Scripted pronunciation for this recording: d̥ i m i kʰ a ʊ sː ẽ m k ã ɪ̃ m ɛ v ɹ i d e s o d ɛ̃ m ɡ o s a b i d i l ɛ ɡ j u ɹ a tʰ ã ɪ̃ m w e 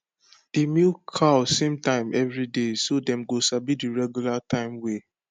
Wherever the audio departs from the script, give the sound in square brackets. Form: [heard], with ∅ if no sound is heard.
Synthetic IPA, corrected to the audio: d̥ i m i kʰ a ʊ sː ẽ m [t] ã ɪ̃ m ɛ v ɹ i d e s o d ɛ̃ m ɡ o s a b i d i [ɹ] ɛ ɡ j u [l] a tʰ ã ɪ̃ m w e